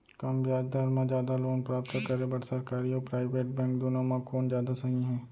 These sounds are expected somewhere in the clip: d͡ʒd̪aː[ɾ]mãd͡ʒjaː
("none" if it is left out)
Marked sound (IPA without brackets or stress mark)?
ɾ